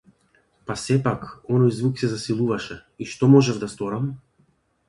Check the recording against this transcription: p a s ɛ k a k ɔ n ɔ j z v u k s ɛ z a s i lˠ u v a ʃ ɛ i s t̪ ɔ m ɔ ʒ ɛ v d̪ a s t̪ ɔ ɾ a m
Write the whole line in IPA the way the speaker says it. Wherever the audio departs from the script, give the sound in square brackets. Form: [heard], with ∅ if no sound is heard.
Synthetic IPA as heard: p a s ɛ [p] a k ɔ n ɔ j z v u k s ɛ z a s i lˠ u v a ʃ ɛ i [ʃ] t̪ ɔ m ɔ ʒ ɛ v d̪ a s t̪ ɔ ɾ a m